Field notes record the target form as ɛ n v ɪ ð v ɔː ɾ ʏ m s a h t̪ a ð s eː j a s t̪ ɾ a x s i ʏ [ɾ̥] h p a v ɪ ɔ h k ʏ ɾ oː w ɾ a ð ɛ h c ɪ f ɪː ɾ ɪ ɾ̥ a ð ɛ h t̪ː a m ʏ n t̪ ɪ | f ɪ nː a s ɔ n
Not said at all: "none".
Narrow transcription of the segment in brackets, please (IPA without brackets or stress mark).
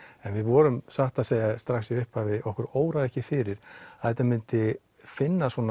none